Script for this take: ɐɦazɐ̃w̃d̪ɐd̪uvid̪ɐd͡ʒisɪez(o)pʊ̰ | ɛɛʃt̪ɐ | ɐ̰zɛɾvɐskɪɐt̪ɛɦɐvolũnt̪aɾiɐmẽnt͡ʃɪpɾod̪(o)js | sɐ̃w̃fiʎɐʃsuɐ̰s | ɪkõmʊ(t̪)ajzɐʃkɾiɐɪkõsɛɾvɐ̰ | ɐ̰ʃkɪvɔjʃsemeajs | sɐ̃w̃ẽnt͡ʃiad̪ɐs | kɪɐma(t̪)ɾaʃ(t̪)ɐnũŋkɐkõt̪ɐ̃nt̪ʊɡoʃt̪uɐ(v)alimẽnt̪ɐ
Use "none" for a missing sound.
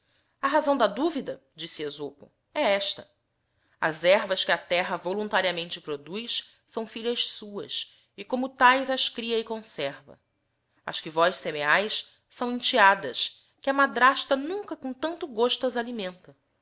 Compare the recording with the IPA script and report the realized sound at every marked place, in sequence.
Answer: o, u, t̪, d̪, t̪, z

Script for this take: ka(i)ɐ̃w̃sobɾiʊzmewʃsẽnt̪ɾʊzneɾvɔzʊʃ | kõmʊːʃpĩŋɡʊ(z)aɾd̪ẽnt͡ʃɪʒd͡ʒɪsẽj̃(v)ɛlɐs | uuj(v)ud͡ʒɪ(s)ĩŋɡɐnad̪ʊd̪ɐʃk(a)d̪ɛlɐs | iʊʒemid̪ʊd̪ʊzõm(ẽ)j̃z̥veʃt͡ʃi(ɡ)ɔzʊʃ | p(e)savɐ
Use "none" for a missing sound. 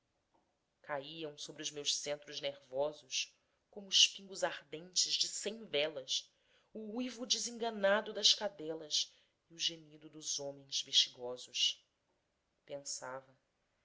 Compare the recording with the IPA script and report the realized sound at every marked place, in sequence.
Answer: i, z, v, v, z, a, ẽ, ɡ, ẽ

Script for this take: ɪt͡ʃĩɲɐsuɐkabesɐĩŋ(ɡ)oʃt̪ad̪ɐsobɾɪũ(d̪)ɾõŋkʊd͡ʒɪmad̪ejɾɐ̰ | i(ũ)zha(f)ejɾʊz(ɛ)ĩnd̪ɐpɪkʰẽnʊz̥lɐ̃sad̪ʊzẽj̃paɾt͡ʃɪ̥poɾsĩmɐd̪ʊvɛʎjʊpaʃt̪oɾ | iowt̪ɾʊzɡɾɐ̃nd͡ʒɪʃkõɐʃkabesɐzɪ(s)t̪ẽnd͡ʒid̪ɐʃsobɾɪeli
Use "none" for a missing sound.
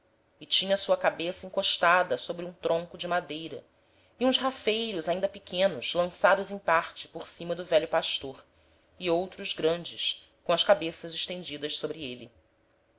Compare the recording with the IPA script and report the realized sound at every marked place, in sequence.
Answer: k, t̪, ũ, f, a, ʃ

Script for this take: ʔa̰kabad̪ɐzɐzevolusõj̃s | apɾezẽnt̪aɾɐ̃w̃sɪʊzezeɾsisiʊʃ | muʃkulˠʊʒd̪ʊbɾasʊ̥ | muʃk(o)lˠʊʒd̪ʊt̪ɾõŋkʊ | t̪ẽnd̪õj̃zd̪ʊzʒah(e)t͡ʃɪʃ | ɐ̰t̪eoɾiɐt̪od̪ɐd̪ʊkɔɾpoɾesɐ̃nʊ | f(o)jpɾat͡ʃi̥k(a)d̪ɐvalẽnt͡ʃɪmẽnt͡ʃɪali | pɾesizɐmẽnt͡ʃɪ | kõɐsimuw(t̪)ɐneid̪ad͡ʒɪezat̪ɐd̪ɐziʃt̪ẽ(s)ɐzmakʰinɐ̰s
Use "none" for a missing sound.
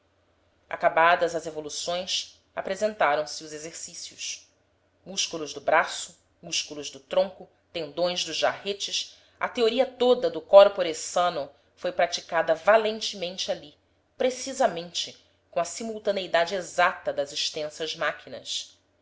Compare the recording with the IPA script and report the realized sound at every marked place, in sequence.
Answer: u, e, o, a, t̪, s

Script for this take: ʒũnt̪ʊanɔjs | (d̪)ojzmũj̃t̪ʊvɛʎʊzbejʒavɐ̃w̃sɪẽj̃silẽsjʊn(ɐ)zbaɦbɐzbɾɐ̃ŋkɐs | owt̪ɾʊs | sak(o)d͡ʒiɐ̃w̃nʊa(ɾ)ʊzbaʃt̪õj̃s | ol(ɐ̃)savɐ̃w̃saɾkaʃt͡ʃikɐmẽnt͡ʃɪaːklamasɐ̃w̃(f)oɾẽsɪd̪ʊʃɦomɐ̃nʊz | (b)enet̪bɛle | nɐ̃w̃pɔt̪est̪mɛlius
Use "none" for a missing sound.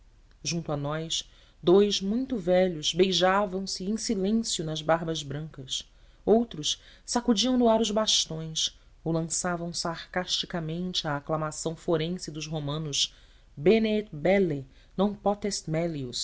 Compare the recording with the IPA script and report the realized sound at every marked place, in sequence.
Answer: d̪, ɐ, u, ɾ, ɐ̃, f, b

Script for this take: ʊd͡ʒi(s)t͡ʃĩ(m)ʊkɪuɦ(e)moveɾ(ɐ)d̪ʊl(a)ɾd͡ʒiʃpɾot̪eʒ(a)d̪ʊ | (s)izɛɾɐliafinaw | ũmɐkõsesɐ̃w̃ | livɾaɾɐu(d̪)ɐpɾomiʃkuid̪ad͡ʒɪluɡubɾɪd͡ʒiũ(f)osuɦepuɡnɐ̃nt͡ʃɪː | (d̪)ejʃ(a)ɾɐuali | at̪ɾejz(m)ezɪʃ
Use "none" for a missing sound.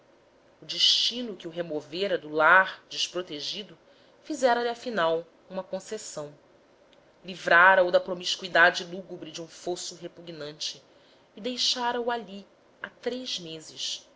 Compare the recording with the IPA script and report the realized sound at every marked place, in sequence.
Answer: ʃ, n, e, ɐ, a, i, f, d̪, f, d̪, a, m

